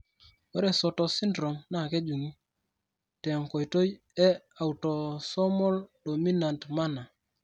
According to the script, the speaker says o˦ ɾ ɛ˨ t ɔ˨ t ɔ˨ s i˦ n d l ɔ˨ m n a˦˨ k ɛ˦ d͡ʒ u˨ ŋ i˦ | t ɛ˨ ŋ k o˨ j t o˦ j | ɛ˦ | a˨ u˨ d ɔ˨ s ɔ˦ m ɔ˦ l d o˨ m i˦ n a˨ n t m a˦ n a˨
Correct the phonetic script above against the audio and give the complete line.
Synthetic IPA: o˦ ɾ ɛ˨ s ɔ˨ t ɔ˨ s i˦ n d ɾ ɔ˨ m n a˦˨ k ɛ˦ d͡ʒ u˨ ŋ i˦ | t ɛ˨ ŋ k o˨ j t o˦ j | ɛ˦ | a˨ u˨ t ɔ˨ s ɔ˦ m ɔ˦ l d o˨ m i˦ n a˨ n t m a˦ n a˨